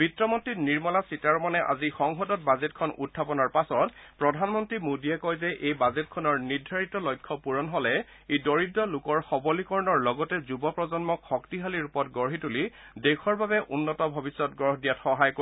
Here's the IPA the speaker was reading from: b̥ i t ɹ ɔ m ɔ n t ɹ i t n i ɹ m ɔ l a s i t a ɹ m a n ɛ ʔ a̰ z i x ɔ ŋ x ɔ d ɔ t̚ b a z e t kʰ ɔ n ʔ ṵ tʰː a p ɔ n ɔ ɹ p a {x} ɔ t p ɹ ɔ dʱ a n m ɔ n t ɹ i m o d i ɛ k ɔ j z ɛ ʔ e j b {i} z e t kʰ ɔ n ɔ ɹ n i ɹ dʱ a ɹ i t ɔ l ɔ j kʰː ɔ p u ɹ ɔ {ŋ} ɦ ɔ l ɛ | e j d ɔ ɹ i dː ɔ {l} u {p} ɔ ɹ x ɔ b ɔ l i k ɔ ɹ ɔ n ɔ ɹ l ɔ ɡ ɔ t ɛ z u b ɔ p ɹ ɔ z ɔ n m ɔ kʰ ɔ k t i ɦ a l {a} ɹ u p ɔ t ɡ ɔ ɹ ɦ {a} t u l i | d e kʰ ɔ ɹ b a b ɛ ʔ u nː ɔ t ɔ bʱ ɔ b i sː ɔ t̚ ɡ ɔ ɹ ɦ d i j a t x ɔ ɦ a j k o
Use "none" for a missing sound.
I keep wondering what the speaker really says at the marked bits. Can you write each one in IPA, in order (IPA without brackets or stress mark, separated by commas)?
s, a, n, l, k, i, i